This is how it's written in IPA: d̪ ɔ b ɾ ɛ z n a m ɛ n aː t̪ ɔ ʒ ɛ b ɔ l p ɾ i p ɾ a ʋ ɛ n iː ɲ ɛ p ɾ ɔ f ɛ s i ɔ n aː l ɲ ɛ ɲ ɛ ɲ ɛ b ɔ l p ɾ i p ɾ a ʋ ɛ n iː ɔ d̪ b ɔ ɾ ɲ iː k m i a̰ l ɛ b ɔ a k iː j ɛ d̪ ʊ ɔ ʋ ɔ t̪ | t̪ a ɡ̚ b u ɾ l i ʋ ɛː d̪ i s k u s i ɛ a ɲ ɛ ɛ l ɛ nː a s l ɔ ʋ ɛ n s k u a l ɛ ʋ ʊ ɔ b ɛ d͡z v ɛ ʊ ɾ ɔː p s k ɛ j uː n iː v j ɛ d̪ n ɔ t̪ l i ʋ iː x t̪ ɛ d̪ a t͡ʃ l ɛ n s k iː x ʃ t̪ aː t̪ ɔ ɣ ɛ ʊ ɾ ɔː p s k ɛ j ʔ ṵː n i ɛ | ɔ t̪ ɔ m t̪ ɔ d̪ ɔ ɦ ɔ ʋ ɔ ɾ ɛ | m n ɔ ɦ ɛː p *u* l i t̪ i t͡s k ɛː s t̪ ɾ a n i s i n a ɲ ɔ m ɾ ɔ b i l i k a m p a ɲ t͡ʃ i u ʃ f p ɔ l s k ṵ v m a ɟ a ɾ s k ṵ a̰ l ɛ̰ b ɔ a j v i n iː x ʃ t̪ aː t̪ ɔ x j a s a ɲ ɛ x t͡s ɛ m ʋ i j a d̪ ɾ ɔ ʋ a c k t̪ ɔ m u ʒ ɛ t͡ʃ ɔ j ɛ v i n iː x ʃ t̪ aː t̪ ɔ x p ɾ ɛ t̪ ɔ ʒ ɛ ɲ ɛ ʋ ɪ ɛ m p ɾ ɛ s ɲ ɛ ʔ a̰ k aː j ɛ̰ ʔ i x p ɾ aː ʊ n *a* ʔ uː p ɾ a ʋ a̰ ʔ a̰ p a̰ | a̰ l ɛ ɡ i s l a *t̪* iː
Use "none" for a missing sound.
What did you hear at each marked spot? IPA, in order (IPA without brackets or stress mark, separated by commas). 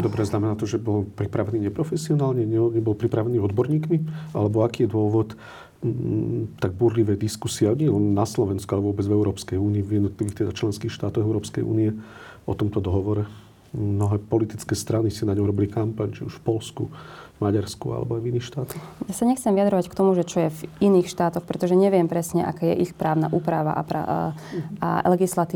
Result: ɔ, a, t̪